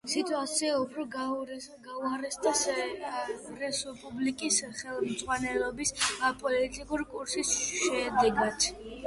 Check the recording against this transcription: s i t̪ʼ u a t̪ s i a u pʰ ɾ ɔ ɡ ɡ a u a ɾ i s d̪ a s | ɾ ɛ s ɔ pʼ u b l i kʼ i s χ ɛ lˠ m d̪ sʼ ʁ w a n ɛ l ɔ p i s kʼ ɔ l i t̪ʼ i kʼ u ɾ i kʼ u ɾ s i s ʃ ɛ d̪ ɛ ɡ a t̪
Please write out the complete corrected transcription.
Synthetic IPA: s i t̪ʼ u a t̪ s i a u pʰ ɾ ɔ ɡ ɡ a u a ɾ ɛ s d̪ a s | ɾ ɛ s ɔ pʼ u b l i kʼ i s χ ɛ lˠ m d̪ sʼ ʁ w a n ɛ l ɔ b i s pʼ ɔ l i t̪ʼ i kʼ u ɾ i kʼ u ɾ s i s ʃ ɛ d̪ ɛ ɡ a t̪